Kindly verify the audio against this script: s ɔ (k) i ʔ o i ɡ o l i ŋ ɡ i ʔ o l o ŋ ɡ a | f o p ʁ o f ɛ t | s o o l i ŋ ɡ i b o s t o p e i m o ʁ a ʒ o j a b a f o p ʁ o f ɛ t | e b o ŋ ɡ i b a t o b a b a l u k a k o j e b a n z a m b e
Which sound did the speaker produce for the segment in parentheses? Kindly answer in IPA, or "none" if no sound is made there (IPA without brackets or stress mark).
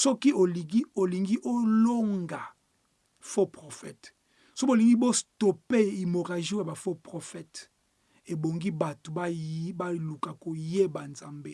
k